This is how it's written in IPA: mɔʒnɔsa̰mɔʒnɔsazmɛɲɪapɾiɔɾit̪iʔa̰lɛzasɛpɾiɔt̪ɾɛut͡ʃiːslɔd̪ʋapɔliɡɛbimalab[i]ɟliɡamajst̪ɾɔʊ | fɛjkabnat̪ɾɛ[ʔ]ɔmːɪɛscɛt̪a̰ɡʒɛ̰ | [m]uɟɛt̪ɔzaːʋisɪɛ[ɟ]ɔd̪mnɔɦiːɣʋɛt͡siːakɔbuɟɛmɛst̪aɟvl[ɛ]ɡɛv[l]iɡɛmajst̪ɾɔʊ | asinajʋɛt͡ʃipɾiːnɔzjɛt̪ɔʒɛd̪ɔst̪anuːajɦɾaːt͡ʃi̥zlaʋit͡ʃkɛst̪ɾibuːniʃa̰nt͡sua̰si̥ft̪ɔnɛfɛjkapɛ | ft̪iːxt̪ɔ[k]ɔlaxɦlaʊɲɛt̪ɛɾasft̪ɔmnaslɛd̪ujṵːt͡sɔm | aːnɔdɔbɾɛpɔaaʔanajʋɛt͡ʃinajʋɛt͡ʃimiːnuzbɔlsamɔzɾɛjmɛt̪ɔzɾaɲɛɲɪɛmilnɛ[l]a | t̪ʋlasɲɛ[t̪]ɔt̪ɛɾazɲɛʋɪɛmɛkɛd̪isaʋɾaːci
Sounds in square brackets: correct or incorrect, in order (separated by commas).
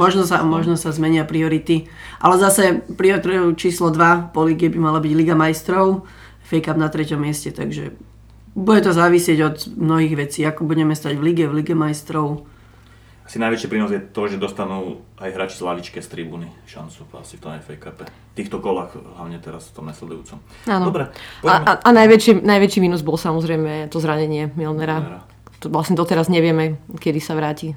correct, incorrect, incorrect, correct, incorrect, correct, correct, incorrect, incorrect